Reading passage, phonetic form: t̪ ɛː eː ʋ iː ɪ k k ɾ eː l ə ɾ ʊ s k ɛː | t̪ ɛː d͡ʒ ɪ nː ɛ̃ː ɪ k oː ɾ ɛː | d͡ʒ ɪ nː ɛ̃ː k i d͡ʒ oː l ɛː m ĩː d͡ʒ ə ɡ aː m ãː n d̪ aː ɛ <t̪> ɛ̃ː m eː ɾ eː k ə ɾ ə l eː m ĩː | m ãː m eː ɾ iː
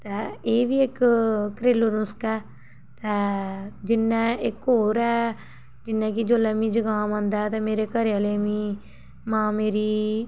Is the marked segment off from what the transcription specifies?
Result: no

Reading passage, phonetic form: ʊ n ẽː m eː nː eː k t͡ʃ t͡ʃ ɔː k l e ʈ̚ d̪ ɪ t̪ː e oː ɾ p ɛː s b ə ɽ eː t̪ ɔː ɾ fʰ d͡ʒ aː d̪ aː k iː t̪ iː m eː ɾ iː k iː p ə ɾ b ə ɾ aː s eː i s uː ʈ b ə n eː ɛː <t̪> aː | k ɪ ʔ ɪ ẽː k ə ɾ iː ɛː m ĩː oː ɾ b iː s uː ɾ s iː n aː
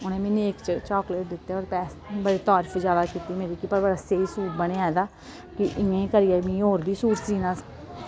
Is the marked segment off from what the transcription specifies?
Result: yes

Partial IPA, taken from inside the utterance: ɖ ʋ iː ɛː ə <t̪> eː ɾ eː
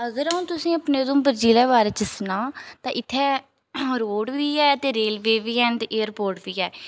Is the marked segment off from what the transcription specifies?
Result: no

